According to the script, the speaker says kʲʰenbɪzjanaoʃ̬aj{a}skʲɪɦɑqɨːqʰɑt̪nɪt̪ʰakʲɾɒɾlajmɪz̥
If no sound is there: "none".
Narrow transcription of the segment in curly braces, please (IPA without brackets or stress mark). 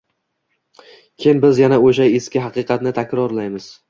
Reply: e